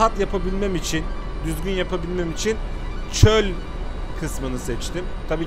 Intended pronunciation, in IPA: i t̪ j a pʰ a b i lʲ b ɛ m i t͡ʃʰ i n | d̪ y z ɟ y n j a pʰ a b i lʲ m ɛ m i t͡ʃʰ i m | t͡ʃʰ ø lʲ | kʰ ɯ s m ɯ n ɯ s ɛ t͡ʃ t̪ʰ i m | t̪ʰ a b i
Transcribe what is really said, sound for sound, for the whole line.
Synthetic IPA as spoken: a t̪ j a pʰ a b i lʲ m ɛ m i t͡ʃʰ i n | d̪ y z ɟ y n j a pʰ a b i lʲ m ɛ m i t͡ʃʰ i n | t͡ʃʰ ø lʲ | kʰ ɯ s m ɯ n ɯ s ɛ t͡ʃ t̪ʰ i m | t̪ʰ a b iː